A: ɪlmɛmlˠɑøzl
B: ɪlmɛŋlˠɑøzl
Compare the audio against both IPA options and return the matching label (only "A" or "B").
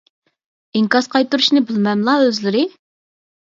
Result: A